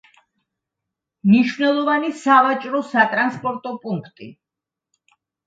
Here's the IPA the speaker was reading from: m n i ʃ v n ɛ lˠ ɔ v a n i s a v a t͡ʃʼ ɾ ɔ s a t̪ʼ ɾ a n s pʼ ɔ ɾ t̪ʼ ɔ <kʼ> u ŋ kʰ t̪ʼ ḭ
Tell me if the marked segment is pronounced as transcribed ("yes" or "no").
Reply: no